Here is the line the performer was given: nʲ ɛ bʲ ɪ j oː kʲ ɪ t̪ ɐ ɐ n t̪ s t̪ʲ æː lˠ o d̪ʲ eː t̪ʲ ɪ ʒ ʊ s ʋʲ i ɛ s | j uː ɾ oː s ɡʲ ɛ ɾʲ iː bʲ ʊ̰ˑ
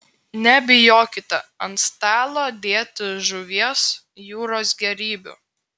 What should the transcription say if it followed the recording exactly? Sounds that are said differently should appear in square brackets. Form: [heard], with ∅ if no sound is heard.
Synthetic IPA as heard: nʲ ɛ bʲ ɪ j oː kʲ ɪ t̪ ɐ ɐ n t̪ s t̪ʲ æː lˠ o d̪ʲ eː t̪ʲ ɪ ʒ ʊ [∅] ʋʲ i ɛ s | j uː ɾ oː s ɡʲ ɛ ɾʲ iː bʲ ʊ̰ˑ